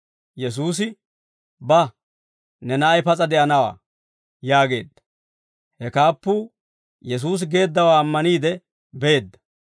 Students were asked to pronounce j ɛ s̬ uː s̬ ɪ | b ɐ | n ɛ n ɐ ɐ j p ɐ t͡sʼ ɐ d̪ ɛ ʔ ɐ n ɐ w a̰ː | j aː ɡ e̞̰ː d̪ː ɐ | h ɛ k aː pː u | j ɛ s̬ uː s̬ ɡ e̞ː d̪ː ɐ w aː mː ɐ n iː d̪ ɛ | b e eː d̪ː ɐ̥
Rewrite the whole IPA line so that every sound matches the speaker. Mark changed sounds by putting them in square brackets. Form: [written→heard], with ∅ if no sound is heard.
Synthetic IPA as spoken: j ɛ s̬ uː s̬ ɪ | b ɐ | n ɛ n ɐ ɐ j p ɐ t͡sʼ ɐ d̪ ɛ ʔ ɐ n ɐ w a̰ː | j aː ɡ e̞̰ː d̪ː ɐ | h ɛ k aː pː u | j ɛ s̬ uː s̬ ɡ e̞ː d̪ː ɐ w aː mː ɐ n iː d̪ ɛ | b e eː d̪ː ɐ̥